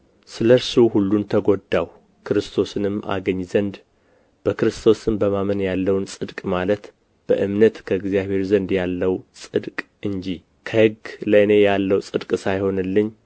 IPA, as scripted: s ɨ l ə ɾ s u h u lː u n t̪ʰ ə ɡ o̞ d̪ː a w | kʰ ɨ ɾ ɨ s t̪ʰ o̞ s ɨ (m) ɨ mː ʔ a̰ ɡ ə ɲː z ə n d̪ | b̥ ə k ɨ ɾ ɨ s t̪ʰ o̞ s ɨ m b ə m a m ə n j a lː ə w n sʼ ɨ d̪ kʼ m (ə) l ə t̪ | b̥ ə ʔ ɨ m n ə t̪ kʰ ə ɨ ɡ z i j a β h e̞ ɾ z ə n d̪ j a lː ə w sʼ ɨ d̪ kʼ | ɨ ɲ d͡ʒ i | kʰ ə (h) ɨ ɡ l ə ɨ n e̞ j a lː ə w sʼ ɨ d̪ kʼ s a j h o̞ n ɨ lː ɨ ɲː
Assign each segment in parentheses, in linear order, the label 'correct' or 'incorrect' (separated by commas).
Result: incorrect, incorrect, correct